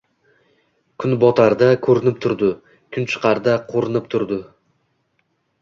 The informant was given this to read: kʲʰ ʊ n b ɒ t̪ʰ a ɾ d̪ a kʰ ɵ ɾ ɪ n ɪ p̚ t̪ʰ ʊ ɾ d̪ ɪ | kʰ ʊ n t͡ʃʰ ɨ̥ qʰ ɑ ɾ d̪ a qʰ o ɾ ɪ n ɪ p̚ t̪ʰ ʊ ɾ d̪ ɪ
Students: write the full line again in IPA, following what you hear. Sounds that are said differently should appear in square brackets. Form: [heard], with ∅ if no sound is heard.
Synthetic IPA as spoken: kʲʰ ʊ n b ɒ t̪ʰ a ɾ d̪ a kʰ ɵ ɾ ɪ n ɪ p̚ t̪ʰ ʊ ɾ d̪ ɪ | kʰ ʊ n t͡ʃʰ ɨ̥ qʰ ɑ ɾ d̪ a qʰ o ɾ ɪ n ɪ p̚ t̪ʰ ʊ ɾ d̪ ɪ